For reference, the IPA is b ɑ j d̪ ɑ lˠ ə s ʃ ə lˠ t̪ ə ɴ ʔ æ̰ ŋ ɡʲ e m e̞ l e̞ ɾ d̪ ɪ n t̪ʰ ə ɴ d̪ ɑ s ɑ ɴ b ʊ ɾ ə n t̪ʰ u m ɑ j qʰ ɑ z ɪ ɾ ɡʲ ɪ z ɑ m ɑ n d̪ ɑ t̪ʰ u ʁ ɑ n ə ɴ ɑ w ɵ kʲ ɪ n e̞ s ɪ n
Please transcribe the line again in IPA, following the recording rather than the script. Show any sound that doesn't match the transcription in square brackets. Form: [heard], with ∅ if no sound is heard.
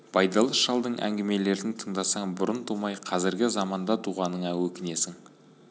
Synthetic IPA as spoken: b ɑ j d̪ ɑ lˠ ə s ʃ [ɑ] lˠ [d̪] ə ɴ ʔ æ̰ ŋ ɡʲ e m e̞ l e̞ ɾ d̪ ɪ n t̪ʰ ə ɴ d̪ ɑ s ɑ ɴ b ʊ ɾ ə n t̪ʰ u m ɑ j qʰ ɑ z ɪ ɾ ɡʲ ɪ z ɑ m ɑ n d̪ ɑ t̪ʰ u ʁ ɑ n ə ɴ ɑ w ɵ kʲ ɪ n e̞ s ɪ [ŋ]

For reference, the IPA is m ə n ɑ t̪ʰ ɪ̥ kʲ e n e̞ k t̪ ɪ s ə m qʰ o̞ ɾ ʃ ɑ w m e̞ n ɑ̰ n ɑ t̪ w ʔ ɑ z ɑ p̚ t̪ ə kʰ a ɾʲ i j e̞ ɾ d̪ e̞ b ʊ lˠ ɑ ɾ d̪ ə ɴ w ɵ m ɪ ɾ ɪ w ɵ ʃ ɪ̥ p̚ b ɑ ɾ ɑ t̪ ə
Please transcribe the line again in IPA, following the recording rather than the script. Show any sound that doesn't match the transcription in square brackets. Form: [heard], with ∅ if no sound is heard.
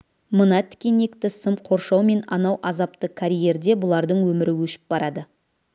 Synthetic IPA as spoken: m ə n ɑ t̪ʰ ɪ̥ kʲ e n e̞ k t̪ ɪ s ə m qʰ o̞ ɾ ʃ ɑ w m e̞ n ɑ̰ n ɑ [∅] w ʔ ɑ z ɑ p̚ t̪ ə kʰ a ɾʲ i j e̞ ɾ d̪ e̞ b ʊ lˠ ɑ ɾ d̪ ə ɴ w ɵ m ɪ ɾ ɪ w ɵ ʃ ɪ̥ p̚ b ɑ ɾ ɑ [d̪] ə

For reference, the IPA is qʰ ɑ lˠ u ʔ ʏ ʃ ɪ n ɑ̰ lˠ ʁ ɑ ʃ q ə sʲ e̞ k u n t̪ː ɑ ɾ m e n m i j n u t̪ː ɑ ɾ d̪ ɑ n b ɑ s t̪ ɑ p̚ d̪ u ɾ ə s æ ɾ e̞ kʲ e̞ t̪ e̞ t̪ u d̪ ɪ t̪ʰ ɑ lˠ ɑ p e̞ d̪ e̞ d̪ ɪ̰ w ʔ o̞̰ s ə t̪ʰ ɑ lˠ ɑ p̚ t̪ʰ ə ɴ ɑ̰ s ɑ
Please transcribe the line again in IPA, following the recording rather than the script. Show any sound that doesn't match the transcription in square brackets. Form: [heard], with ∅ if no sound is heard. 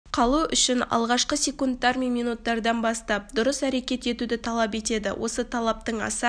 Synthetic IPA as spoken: qʰ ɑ lˠ u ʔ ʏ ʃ ɪ n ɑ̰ lˠ ʁ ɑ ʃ q ə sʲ e̞ k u n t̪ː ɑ ɾ m e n m i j n u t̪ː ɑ ɾ d̪ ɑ n b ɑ s t̪ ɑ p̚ d̪ [ʊ] ɾ ə s æ ɾ e̞ kʲ e̞ t̪ e̞ t̪ u d̪ ɪ t̪ʰ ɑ lˠ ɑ p e̞ [t̪] e̞ d̪ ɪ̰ w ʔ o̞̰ s ə t̪ʰ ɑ lˠ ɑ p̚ [t̪] ə ɴ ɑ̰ s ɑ

